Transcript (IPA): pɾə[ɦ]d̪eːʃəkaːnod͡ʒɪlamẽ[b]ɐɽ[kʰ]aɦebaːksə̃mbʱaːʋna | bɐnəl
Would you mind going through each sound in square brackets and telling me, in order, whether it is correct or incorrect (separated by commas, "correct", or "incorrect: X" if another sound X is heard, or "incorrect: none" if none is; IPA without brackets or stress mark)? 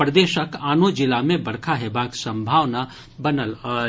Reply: incorrect: none, correct, correct